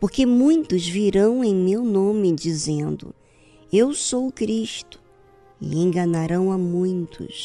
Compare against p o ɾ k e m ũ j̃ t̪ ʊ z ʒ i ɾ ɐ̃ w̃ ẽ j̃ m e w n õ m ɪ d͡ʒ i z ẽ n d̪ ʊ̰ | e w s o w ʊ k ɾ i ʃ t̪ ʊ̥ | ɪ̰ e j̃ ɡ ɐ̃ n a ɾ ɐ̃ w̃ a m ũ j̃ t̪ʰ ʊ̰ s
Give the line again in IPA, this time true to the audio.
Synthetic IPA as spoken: p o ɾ k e m ũ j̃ t̪ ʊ z v i ɾ ɐ̃ w̃ ẽ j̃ m e w n õ m ɪ d͡ʒ i z ẽ n d̪ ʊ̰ | e w s o w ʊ k ɾ i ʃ t̪ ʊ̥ | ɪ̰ ẽ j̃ ɡ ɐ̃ n a ɾ ɐ̃ w̃ a m ũ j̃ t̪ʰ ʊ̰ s